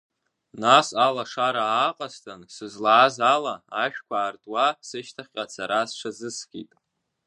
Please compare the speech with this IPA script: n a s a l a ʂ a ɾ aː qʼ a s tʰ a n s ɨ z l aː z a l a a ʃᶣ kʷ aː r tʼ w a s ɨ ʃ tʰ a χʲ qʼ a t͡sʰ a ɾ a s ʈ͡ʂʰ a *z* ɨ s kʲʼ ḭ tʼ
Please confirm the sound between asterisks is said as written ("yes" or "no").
yes